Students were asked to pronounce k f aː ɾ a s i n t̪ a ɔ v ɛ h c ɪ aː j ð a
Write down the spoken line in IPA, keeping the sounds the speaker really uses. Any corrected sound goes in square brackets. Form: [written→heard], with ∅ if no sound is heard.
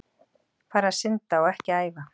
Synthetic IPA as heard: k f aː ɾ a s [i→ɪ] n t̪ a ɔ [v→ɣ] ɛ h c ɪ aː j [ð→v] a